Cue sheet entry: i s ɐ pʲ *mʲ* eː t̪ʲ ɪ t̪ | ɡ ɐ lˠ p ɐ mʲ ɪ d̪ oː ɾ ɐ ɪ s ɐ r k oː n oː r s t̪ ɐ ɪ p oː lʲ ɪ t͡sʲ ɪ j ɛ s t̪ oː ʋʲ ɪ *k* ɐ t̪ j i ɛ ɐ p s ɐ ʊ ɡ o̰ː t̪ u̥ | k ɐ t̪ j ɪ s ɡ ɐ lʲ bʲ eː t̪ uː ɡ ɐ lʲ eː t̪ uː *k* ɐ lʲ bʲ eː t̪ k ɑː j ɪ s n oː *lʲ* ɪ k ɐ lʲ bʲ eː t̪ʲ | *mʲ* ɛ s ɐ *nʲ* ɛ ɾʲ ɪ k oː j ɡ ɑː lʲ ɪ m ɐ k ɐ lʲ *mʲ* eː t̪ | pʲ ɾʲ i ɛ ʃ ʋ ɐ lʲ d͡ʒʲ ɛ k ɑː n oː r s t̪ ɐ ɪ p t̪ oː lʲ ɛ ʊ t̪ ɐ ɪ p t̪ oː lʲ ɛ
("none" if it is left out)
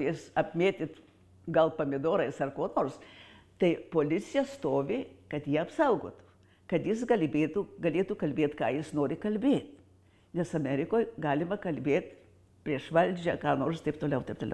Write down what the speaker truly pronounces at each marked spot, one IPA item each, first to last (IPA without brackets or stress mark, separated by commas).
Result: mʲ, k, k, ɾʲ, nʲ, mʲ, bʲ